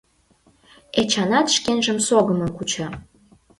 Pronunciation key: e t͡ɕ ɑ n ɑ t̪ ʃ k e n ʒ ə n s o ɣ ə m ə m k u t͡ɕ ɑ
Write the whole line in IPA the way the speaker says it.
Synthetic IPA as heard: e t͡ɕ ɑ n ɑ t̪ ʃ k e n ʒ ə m s o ɣ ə m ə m k u t͡ɕ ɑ